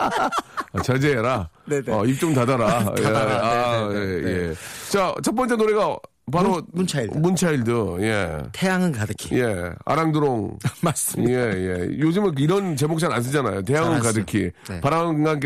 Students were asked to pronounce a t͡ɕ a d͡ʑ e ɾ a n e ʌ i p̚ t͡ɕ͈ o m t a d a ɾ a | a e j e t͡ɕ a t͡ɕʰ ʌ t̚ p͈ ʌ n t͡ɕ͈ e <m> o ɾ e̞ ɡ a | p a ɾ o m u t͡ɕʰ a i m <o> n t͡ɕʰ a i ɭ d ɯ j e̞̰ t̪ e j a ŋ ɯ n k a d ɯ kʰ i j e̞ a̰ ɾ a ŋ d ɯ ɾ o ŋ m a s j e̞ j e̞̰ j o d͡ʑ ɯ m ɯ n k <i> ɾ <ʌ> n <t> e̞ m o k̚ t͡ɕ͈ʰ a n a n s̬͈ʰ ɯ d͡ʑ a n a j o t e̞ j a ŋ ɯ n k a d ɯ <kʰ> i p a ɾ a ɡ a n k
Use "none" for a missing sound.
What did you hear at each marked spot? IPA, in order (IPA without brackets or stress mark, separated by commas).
n, u, i, ʌ, t͡ɕ, kʰ